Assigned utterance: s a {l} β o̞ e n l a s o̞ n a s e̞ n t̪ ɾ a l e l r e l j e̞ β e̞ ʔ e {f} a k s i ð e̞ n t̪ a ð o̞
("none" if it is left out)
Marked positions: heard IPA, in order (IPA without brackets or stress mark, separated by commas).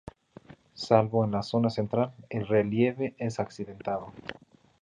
l, s